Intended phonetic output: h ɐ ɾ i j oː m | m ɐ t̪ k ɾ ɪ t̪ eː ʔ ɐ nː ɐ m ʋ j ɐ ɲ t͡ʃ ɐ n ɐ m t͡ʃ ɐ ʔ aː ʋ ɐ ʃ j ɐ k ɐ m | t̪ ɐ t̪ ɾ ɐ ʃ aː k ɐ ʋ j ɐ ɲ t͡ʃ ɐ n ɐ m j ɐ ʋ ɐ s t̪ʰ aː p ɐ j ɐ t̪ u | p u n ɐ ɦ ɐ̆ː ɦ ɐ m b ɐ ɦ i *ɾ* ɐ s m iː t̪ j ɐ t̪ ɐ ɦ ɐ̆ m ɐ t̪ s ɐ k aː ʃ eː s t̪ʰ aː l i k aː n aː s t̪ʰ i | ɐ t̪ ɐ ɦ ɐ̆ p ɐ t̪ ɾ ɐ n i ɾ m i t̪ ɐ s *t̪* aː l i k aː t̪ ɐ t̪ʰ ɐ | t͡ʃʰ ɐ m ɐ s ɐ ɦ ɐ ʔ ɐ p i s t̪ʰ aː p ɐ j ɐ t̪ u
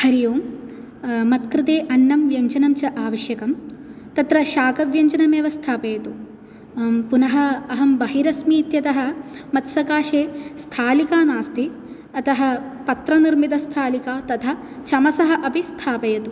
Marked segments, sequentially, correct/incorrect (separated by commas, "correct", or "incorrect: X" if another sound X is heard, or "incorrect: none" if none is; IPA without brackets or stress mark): correct, incorrect: t̪ʰ